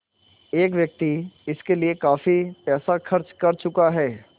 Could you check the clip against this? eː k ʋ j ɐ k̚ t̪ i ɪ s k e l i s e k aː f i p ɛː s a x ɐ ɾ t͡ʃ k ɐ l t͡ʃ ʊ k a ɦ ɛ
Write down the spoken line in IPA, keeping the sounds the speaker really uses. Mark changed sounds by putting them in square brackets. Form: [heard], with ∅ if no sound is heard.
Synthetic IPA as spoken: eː k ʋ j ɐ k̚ t̪ i ɪ s k e l i [∅] e k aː f i p ɛː s a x ɐ ɾ t͡ʃ k ɐ [ɾ] t͡ʃ ʊ k a ɦ [ɛː]